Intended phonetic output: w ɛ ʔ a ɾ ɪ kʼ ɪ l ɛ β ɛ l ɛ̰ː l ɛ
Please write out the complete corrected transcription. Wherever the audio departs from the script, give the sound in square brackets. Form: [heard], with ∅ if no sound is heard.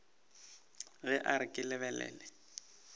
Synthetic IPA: [ɣ] ɛ ʔ a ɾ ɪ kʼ ɪ l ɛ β ɛ l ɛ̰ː l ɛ